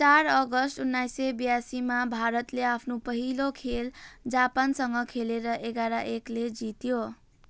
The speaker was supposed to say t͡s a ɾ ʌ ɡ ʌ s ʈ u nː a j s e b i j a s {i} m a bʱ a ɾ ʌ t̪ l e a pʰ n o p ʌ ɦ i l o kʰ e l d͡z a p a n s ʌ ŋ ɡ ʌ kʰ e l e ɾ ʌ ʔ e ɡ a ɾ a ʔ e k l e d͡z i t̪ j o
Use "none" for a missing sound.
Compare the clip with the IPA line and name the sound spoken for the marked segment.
i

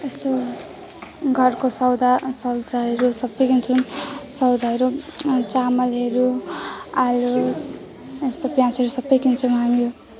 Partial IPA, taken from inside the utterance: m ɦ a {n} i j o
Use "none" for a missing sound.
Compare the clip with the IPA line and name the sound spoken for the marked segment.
m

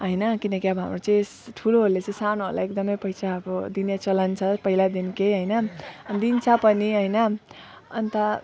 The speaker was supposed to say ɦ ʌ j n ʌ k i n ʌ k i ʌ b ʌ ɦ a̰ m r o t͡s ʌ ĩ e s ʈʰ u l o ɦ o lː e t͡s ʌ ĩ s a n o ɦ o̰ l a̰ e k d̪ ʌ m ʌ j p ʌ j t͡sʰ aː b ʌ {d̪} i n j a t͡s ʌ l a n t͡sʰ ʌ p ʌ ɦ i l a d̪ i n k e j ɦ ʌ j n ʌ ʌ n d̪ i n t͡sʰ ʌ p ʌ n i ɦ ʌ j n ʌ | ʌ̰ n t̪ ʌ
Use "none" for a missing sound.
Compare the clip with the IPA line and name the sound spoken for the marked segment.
d̪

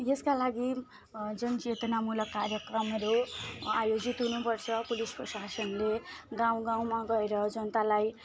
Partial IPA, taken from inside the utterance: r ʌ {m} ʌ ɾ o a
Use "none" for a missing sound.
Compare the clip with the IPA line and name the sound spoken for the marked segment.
m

